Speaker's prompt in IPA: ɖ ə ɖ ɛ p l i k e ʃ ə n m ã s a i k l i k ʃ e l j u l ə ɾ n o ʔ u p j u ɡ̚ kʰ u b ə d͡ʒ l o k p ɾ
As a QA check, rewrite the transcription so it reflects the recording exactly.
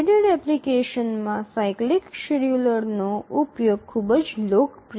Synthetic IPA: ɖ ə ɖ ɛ p l i k e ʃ ə n m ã s a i k l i k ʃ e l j u l ə ɾ n o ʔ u p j o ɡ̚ kʰ u b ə d͡ʒ l o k p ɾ